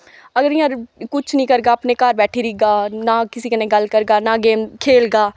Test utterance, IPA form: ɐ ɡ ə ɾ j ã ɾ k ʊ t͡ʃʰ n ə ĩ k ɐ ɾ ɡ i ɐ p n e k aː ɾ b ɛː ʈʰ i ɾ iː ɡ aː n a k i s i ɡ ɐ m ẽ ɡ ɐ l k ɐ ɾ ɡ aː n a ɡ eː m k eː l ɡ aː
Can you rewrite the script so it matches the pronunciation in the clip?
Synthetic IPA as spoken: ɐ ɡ ə ɾ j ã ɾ k ʊ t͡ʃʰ n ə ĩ k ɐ ɾ ɡ a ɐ p n e k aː ɾ b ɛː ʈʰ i ɾ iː ɡ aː n a k ɪ s i k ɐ n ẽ ɡ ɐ l k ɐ ɾ ɡ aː n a ɡ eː m kʰ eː l ɡ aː